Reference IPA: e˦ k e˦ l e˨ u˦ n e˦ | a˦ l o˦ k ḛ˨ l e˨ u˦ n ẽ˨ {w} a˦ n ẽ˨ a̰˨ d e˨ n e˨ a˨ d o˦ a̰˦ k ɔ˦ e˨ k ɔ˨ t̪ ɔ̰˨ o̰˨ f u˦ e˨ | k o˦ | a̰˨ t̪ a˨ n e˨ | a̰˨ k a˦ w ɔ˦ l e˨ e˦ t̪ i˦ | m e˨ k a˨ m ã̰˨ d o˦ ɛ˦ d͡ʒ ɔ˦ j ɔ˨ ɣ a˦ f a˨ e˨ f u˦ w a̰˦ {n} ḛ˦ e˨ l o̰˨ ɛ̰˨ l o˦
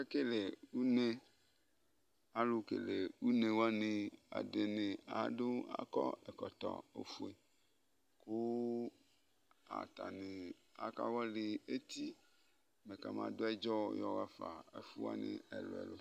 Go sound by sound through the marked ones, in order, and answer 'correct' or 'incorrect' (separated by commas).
correct, correct